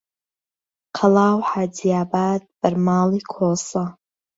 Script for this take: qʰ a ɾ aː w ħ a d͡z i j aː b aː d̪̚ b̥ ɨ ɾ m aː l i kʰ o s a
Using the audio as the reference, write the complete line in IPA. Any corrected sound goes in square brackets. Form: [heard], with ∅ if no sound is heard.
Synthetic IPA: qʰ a [l] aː w ħ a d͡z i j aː b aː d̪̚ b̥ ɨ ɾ m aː l i kʰ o s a